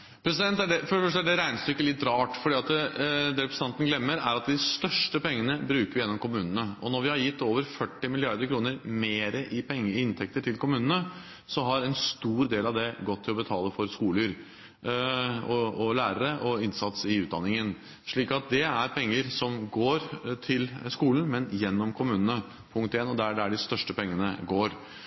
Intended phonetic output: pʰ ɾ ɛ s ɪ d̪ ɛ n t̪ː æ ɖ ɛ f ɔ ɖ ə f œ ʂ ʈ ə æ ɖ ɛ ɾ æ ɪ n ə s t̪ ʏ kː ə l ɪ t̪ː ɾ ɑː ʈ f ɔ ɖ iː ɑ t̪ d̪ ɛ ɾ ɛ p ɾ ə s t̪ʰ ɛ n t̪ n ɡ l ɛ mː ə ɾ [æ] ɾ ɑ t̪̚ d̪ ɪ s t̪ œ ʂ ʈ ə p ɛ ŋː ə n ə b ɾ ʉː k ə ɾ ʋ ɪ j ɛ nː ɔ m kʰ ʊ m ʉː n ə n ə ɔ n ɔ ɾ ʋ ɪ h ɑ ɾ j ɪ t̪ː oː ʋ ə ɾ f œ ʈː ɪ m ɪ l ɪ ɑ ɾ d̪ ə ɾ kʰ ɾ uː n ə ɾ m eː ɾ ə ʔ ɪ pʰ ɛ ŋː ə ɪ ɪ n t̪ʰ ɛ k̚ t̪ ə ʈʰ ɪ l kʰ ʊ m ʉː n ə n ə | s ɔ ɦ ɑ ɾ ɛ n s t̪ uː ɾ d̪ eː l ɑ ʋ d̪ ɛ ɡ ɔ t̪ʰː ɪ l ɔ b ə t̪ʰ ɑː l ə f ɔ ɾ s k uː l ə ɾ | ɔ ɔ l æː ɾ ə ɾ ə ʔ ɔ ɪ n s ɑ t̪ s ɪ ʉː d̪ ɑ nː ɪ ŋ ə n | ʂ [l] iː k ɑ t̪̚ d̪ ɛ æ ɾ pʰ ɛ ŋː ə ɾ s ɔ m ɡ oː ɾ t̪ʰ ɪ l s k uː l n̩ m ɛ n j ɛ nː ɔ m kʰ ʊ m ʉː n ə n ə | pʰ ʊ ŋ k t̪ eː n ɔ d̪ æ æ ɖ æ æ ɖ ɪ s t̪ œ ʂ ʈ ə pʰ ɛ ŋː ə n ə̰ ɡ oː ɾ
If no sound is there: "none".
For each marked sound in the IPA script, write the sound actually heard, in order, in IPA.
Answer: æ, ɭ

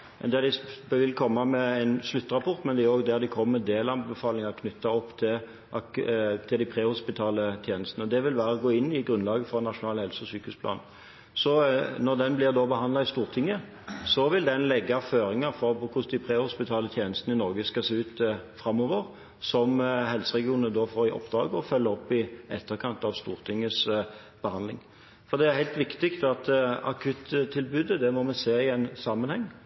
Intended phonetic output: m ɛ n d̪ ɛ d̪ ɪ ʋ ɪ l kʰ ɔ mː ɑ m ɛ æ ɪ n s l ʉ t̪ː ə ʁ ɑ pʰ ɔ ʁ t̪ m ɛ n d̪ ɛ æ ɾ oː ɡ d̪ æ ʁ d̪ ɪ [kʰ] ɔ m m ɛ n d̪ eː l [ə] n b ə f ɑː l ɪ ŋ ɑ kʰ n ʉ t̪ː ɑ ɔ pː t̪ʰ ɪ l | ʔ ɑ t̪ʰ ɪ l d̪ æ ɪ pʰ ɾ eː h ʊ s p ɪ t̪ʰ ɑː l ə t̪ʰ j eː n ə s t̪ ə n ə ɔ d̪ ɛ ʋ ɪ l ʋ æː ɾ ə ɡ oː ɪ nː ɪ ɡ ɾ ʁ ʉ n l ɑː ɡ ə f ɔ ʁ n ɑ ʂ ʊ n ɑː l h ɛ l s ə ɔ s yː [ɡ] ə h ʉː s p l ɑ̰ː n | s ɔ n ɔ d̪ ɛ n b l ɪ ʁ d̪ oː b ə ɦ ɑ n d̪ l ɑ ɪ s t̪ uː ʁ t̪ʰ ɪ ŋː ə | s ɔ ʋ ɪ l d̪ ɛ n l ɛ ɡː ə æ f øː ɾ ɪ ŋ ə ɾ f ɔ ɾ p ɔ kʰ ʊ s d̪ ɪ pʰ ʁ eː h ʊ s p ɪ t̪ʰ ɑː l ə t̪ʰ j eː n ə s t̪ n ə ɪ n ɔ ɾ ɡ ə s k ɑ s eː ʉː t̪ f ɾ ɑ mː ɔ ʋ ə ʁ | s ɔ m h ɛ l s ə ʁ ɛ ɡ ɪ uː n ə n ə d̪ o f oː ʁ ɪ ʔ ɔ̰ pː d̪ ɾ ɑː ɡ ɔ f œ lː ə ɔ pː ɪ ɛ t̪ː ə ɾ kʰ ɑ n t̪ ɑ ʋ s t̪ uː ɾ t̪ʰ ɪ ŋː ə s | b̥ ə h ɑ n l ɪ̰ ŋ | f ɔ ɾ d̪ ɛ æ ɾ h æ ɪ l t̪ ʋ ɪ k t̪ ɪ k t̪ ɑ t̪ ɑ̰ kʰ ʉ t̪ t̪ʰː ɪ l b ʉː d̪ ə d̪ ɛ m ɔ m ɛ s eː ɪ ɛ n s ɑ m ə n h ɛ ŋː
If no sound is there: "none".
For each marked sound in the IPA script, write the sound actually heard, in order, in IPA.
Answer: kʰ, ɑ, k

